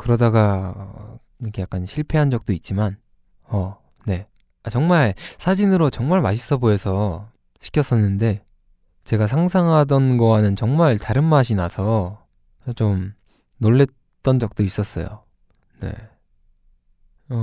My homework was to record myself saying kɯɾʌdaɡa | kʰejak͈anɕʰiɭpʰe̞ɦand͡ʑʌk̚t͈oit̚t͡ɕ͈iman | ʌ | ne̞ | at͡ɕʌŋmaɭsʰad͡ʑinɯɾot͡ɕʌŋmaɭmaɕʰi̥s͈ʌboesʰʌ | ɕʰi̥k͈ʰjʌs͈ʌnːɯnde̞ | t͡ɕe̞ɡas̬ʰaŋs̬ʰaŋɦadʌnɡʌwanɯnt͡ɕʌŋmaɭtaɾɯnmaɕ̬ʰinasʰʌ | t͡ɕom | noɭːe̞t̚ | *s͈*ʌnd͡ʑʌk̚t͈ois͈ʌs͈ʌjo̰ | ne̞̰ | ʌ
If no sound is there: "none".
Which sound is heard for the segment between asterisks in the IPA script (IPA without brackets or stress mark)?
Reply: t͈